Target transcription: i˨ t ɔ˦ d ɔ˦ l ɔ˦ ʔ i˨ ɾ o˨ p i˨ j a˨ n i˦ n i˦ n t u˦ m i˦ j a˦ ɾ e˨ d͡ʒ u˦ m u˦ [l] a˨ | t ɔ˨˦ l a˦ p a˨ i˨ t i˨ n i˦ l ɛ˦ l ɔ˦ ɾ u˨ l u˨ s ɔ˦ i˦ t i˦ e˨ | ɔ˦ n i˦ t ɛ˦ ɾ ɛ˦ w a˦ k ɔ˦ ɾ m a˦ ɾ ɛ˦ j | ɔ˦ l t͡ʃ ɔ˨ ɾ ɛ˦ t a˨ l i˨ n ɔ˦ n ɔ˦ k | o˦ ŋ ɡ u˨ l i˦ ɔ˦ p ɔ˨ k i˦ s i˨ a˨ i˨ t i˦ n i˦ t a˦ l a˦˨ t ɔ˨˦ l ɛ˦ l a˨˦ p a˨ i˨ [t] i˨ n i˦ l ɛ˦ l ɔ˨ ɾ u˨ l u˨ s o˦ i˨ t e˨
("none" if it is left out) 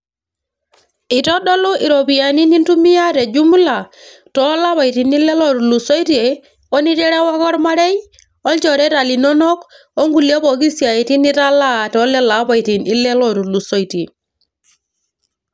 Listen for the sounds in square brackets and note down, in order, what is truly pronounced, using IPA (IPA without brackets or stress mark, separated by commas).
l, t